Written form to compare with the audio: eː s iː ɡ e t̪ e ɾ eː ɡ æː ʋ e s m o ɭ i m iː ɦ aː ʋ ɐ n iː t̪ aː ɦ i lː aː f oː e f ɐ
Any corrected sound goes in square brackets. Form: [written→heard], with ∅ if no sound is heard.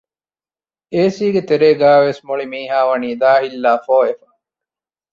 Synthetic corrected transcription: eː s iː ɡ e t̪ e ɾ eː ɡ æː ʋ e s m o ɭ i m iː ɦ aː ʋ ɐ n iː [t̪→d̪] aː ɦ i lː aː f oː e f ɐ

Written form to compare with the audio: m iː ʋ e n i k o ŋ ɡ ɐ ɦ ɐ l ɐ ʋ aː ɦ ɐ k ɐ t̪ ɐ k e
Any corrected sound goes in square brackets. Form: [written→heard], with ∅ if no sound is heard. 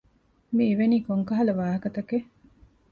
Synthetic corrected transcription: m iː ʋ e n [i→iː] k o ŋ [ɡ→k] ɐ ɦ ɐ l ɐ ʋ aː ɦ ɐ k ɐ t̪ ɐ k e

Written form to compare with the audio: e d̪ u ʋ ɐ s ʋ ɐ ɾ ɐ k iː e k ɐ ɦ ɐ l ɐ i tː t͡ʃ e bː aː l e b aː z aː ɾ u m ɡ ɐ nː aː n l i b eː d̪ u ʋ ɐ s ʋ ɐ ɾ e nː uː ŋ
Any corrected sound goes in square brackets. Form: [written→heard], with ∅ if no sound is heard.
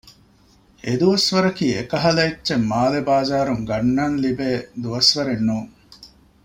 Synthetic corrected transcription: e d̪ u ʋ ɐ s ʋ ɐ ɾ ɐ k iː e k ɐ ɦ ɐ l ɐ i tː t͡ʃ e [bː→mː] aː l e b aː z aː ɾ u [m→ŋ] ɡ ɐ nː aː n l i b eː d̪ u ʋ ɐ s ʋ ɐ ɾ e nː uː ŋ

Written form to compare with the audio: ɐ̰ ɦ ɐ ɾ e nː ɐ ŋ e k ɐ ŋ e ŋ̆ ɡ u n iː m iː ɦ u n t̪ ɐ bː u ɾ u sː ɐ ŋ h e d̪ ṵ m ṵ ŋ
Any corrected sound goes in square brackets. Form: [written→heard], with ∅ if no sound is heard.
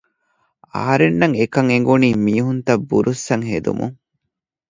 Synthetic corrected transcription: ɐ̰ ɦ ɐ ɾ e nː ɐ ŋ e k ɐ ŋ e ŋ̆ ɡ u n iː m iː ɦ u n t̪ ɐ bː u ɾ u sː ɐ ŋ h e d̪ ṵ m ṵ ŋ

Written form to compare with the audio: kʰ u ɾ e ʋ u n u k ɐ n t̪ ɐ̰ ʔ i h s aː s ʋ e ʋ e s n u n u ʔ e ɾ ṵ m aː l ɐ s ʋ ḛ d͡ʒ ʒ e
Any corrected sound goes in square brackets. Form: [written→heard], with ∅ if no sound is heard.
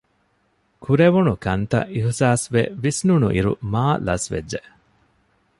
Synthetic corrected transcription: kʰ u ɾ e ʋ u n u k ɐ n t̪ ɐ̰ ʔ i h s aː s ʋ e ʋ [e→i] s n u n u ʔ [e→i] ɾ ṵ m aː l ɐ s ʋ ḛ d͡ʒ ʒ e

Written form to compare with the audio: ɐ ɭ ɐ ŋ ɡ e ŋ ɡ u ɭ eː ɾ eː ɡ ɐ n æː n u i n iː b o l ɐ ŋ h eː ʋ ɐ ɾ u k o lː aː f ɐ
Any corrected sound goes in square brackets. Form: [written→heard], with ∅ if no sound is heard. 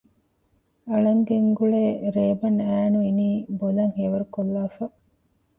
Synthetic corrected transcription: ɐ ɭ ɐ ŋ ɡ e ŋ ɡ u ɭ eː ɾ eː [ɡ→b] ɐ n æː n u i n iː b o l ɐ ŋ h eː ʋ ɐ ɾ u k o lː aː f ɐ

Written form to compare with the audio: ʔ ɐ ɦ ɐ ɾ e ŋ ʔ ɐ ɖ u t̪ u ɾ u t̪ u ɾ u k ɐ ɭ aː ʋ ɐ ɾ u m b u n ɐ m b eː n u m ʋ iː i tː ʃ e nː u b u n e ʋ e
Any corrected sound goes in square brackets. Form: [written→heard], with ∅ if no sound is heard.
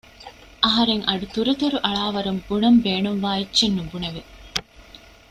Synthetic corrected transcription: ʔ ɐ ɦ ɐ ɾ e ŋ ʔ ɐ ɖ u t̪ u ɾ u t̪ u ɾ u [k→ʔ] ɐ ɭ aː ʋ ɐ ɾ u m b u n ɐ m b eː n u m ʋ [iː→aː] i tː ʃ e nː u b u n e ʋ e

